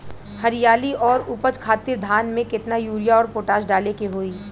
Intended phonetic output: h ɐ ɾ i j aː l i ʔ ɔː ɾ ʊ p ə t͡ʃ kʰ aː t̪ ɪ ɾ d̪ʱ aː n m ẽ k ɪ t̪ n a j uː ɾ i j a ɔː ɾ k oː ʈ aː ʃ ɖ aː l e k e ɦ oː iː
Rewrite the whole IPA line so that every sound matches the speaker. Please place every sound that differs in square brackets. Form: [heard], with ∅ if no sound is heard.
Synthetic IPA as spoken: h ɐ ɾ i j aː l i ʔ ɔː ɾ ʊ p ə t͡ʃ kʰ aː t̪ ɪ ɾ d̪ʱ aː n m ẽ k ɪ t̪ n a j uː ɾ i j a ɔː ɾ [p] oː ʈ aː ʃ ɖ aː l e k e ɦ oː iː